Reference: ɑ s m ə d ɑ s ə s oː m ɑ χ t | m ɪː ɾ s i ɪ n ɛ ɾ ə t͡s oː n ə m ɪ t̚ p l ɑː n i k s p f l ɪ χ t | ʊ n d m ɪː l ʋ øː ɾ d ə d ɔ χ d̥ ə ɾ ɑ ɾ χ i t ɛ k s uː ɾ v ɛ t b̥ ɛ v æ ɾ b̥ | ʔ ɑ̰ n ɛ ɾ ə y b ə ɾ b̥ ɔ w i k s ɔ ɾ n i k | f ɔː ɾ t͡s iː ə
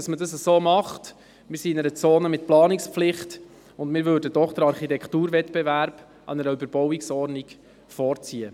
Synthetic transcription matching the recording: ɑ s m ə d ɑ s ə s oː m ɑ χ t | m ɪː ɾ s i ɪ n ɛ ɾ ə t͡s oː n ə m ɪ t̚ p l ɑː n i k s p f l ɪ χ t | ʊ n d m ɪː ɾ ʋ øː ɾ d ə d ɔ χ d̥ ə ɾ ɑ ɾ χ i t ɛ k t uː ɾ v ɛ t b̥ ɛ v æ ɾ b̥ | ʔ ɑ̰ n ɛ ɾ ə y b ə ɾ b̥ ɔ w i k s ɔ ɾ n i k | f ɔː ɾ t͡s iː ə